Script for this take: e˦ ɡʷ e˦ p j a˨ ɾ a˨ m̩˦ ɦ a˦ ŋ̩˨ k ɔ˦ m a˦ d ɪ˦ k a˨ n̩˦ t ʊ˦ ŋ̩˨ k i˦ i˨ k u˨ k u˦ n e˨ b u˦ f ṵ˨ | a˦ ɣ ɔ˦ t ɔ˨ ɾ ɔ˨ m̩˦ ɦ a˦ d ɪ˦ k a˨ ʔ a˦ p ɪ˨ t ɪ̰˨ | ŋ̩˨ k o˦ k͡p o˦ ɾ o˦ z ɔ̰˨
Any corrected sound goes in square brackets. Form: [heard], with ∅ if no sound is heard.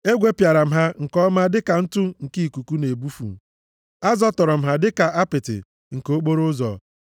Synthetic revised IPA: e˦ ɡʷ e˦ p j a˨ ɾ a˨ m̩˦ ɦ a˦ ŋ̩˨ k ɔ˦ m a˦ d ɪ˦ k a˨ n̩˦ t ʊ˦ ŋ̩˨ k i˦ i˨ k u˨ k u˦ n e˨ b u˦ f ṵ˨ | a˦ [z] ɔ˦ t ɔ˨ ɾ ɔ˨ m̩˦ ɦ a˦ d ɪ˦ k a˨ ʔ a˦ p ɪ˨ t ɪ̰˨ | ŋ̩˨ k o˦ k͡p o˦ ɾ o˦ z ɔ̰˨